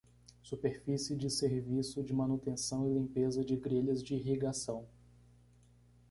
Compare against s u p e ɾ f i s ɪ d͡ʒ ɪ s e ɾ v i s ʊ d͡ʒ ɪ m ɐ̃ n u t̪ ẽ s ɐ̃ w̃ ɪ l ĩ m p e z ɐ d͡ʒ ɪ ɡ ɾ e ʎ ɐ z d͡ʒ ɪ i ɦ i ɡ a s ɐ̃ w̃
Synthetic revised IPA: s u p e ɾ f i s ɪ d͡ʒ ɪ s e ɾ v i s ʊ d͡ʒ ɪ m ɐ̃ n u t̪ ẽ s ɐ̃ w̃ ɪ l ĩ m p e z ɐ d͡ʒ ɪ ɡ ɾ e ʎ ɐ z d͡ʒ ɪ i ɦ i ɡ a s ɐ̃ w̃